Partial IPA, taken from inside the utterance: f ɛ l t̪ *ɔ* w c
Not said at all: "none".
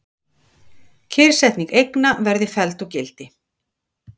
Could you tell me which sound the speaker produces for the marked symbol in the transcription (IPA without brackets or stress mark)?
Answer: ɔ